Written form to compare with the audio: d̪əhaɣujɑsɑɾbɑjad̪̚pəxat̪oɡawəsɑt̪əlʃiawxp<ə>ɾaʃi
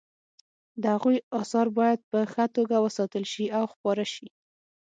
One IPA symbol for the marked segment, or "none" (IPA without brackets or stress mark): ɑ